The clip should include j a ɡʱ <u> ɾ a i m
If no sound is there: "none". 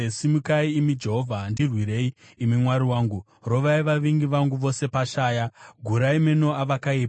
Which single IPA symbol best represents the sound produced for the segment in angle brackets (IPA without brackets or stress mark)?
u